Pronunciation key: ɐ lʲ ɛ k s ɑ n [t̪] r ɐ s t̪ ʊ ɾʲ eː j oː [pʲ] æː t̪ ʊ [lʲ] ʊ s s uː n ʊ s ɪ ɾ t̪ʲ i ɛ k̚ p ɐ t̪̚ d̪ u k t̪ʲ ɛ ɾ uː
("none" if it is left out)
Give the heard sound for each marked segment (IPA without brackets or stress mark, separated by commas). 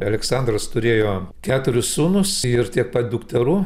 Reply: d̪, kʲ, ɾʲ